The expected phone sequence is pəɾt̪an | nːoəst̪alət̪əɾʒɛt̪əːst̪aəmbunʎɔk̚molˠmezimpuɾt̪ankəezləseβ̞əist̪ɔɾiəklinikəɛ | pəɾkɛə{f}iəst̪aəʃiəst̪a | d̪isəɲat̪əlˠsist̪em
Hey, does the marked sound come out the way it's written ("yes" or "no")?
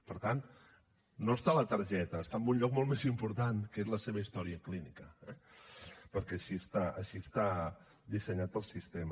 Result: no